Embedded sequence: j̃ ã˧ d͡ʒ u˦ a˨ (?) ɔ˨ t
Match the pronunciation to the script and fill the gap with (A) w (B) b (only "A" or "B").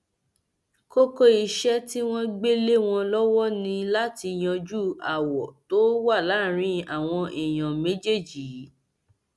A